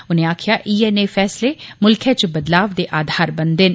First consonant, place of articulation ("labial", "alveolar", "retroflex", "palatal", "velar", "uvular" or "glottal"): alveolar